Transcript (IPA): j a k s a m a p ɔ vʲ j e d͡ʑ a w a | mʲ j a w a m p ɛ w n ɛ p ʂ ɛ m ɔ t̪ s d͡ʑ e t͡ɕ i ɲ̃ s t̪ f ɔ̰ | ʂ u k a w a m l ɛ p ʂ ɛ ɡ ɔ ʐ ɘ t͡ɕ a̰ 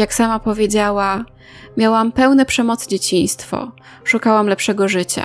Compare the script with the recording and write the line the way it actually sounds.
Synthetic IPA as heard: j a k s a m a p ɔ vʲ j e d͡ʑ a w a | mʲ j a w a m p ɛ w n ɛ p ʂ ɛ m ɔ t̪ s d͡ʑ e t͡ɕ i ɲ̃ s t̪ f ɔ̰ | ʂ u k a w a m l ɛ p ʂ ɛ ɡ ɔ ʐ ɘ t͡ɕ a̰